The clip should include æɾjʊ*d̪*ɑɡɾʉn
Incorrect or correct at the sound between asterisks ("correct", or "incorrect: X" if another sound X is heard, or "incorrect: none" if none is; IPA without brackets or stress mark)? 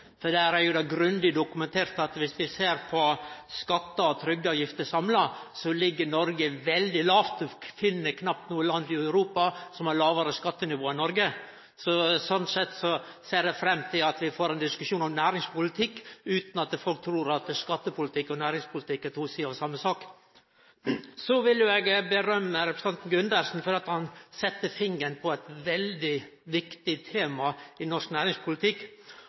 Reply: correct